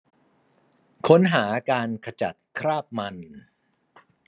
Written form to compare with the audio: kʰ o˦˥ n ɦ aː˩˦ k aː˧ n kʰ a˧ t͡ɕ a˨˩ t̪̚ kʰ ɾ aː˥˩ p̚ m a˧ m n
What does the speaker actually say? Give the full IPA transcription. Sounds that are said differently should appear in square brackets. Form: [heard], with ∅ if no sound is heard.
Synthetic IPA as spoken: kʰ o˦˥ n ɦ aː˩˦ k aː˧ n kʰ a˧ t͡ɕ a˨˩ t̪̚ kʰ ɾ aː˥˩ p̚ m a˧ [∅] n